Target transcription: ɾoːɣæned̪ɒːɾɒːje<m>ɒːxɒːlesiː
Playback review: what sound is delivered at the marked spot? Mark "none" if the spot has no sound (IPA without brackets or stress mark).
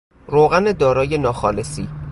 n